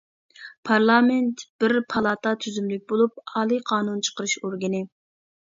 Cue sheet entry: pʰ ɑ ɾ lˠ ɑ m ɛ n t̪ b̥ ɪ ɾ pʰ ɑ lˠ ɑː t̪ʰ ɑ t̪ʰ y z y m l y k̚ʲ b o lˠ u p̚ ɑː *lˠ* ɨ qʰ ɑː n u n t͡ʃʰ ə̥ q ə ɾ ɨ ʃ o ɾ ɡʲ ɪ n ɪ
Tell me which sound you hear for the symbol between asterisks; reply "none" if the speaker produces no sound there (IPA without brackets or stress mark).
lˠ